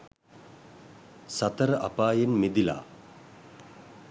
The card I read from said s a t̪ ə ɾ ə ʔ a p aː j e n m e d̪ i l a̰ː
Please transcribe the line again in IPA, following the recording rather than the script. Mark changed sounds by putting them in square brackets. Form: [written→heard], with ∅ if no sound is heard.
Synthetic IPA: s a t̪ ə ɾ ə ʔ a p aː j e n m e d̪ i l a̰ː